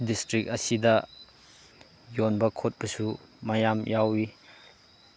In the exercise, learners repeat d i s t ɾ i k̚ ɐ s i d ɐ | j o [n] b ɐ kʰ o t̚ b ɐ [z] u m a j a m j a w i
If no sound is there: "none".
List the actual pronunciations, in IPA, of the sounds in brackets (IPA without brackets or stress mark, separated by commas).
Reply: n, s